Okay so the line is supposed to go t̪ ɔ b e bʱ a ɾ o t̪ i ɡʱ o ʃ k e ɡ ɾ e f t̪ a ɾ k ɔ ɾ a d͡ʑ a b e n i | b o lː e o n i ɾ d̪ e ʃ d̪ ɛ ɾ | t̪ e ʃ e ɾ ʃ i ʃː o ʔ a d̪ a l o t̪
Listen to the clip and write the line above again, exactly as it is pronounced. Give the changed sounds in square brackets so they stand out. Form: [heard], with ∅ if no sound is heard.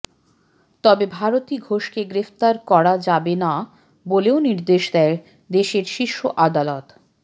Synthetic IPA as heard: t̪ ɔ b e bʱ a ɾ o t̪ i ɡʱ o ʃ k e ɡ ɾ e f t̪ a ɾ k ɔ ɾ a d͡ʑ a b e n [a] | b o [l] e o n i ɾ d̪ e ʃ d̪ ɛ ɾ | [d̪] e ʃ e ɾ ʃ i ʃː o ʔ a d̪ a l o t̪

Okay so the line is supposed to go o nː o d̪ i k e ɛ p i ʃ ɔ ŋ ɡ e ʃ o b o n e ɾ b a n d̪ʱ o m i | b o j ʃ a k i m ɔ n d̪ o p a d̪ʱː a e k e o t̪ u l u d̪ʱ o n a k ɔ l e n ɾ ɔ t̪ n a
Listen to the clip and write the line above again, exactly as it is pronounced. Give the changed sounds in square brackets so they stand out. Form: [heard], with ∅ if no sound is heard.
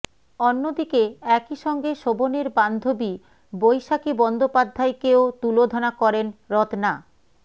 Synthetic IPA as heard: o nː o d̪ i k e ɛ [k] i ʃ ɔ ŋ ɡ e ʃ o b o n e ɾ b a n d̪ʱ o [b] i | b o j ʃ a k i [b] ɔ n d̪ o p a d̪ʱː a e k e o t̪ u l [o] d̪ʱ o n a k ɔ [ɾ] e n ɾ ɔ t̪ n a

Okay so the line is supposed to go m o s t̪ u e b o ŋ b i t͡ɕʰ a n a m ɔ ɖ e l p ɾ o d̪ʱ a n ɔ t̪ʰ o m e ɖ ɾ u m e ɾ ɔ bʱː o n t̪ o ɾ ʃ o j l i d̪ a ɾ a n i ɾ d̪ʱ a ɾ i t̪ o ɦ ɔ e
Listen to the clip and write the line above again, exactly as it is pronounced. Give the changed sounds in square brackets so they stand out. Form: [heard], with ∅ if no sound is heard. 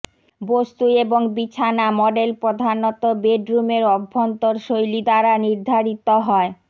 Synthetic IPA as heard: [b] o s t̪ u e b o ŋ b i t͡ɕʰ a n a m ɔ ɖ e l p ɾ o d̪ʱ a n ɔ [t̪] o [b] e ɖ ɾ u m e ɾ ɔ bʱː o n t̪ o ɾ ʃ o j l i d̪ a ɾ a n i ɾ d̪ʱ a ɾ i t̪ o ɦ ɔ e

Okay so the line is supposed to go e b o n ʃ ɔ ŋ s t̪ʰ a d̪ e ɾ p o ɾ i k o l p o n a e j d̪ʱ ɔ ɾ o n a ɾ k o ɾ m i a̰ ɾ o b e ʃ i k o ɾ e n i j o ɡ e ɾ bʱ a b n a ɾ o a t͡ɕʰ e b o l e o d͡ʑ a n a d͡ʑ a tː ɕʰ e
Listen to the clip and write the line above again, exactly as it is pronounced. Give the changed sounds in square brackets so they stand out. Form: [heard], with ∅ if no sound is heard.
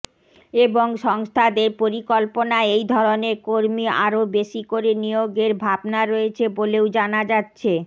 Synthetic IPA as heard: e b o [ŋ] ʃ ɔ ŋ s t̪ʰ a d̪ e ɾ p o ɾ i k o l p o n a e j d̪ʱ ɔ ɾ o n [e] ɾ k o ɾ m i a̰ ɾ o b e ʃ i k o ɾ e n i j o ɡ e ɾ bʱ a b n a ɾ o [e] t͡ɕʰ e b o l e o d͡ʑ a n a d͡ʑ a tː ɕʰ e

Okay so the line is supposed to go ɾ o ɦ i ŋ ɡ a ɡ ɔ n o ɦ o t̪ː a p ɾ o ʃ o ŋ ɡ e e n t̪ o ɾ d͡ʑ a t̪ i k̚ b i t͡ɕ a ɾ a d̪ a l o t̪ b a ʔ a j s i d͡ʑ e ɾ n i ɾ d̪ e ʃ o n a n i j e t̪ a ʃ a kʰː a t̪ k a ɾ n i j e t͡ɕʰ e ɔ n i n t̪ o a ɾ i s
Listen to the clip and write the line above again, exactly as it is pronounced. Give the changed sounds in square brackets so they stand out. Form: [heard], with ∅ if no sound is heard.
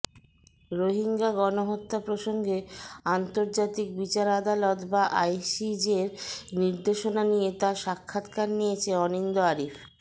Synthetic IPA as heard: ɾ o ɦ i ŋ ɡ a ɡ ɔ n o ɦ o t̪ː a p ɾ o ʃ o ŋ ɡ e [a] n t̪ o ɾ d͡ʑ a t̪ i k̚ b i t͡ɕ a ɾ a d̪ a l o t̪ b a ʔ a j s i d͡ʑ e ɾ n i ɾ d̪ e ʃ o n a n i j e t̪ a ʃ a kʰː a t̪ k a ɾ n i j e t͡ɕʰ e ɔ n i n [d̪] o a ɾ i [f]

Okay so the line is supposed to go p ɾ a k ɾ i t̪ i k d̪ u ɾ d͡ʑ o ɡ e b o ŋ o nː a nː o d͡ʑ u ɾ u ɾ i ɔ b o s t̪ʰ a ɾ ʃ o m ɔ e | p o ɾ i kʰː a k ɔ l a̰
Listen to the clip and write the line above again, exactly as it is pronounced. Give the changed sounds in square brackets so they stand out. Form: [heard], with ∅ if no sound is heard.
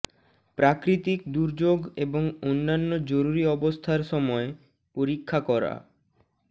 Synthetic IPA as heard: p ɾ a k ɾ i t̪ i k d̪ u ɾ d͡ʑ o ɡ e b o ŋ o nː a nː o d͡ʑ [o] ɾ u ɾ i ɔ b o s t̪ʰ a ɾ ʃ [ɔ] m ɔ e | p o ɾ i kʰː a k ɔ [ɾ] a̰

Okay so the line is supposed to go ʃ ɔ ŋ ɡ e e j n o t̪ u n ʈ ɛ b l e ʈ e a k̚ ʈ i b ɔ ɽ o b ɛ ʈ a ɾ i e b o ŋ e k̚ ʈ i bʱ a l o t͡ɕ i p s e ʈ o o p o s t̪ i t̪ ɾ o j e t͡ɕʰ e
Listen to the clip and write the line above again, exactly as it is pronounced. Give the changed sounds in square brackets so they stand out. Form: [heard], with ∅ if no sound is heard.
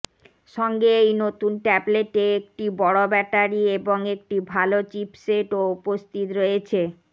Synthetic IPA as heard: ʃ ɔ ŋ ɡ e e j n o t̪ u n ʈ ɛ b l e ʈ e [e] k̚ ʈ i b ɔ ɽ o b ɛ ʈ a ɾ i e b o ŋ e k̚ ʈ i bʱ a l o t͡ɕ i p s e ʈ o [u] p o s t̪ i t̪ ɾ o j e t͡ɕʰ e

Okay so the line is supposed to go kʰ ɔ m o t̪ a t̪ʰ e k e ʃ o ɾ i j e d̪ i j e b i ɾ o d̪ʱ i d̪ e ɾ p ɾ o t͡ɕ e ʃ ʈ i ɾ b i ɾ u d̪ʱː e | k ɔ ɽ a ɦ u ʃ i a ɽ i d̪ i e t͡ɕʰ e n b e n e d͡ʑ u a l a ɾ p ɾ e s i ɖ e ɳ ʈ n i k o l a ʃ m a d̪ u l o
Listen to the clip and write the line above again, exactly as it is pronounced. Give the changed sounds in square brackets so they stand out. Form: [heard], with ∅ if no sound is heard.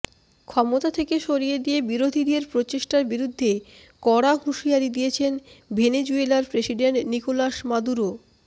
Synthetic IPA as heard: kʰ ɔ m o t̪ a t̪ʰ e k e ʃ o ɾ i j e d̪ i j e b i ɾ o d̪ʱ i d̪ e ɾ p ɾ o t͡ɕ e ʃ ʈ [a] ɾ b i ɾ u d̪ʱː e | k ɔ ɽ a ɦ u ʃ i a [ɾ] i d̪ i e t͡ɕʰ e n b e n e d͡ʑ u [e] l a ɾ p ɾ e s i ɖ e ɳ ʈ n i k o l a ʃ m a d̪ u [ɾ] o

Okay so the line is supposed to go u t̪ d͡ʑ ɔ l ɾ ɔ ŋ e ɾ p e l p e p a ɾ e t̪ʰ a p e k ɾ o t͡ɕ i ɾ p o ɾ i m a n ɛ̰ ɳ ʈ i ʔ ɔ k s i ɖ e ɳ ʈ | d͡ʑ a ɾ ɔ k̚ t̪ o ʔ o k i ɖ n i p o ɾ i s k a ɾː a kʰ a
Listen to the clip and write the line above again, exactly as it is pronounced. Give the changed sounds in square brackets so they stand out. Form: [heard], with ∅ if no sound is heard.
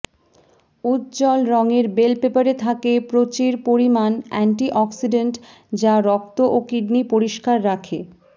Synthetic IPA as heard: u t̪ d͡ʑ ɔ l ɾ ɔ ŋ e ɾ [b] e l p e p a ɾ e t̪ʰ a [k] e [p] ɾ o t͡ɕ i ɾ p o ɾ i m a n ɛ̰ ɳ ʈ i ʔ ɔ k s i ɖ e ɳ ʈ | d͡ʑ a ɾ ɔ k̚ t̪ o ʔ o k i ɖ n i p o ɾ i [ʃ] k a ɾː a kʰ [e]

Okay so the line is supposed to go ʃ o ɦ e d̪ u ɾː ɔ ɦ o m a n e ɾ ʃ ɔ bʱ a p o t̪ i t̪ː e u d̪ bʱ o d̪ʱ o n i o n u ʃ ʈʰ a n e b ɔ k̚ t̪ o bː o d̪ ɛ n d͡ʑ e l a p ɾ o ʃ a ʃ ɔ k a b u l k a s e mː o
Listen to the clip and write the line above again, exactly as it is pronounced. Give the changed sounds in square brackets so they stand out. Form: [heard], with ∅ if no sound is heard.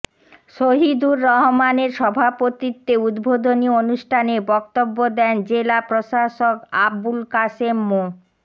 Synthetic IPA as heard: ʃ o ɦ [i] d̪ u ɾː ɔ ɦ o m a n e ɾ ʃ ɔ bʱ a p o t̪ i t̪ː e u d̪ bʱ o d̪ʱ o n i o n u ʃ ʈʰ a n e b ɔ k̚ t̪ o bː o d̪ ɛ n d͡ʑ e l a p ɾ o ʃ a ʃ [o] k a b u l k a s e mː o

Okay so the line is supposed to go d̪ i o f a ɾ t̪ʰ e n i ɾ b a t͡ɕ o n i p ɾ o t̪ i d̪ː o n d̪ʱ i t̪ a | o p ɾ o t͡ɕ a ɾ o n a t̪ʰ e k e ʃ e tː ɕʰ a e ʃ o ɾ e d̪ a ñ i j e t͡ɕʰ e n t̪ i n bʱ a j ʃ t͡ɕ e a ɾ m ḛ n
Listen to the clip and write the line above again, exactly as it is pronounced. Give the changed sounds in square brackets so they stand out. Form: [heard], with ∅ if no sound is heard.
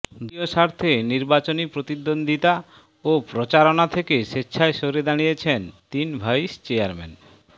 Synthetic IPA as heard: d̪ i o [ʃ] a ɾ t̪ʰ e n i ɾ b a t͡ɕ o n i p ɾ o t̪ i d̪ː o n d̪ʱ i t̪ a | o p ɾ o t͡ɕ a ɾ o n a t̪ʰ e k e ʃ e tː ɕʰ a e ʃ o ɾ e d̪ a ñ i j e t͡ɕʰ e n t̪ i n bʱ a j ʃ t͡ɕ e a ɾ m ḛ n

